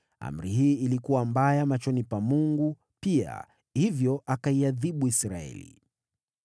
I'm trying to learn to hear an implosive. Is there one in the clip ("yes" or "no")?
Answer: yes